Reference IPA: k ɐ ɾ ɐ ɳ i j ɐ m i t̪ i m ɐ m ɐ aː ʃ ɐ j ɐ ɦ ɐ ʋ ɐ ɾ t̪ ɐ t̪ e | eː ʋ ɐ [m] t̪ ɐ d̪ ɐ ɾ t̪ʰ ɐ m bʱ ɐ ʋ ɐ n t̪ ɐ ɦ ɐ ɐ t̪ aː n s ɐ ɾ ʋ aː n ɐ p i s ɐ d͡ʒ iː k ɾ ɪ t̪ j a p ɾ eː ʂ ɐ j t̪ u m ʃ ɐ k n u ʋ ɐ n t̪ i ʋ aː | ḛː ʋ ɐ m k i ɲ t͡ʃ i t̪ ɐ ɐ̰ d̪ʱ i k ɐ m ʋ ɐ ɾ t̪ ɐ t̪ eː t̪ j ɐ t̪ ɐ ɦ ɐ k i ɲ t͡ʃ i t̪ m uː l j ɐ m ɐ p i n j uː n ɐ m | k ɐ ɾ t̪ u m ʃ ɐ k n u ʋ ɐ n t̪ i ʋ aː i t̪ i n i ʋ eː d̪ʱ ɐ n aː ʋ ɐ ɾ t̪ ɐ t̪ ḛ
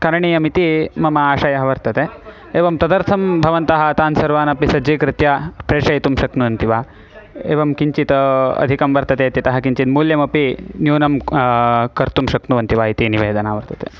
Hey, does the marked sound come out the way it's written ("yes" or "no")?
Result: yes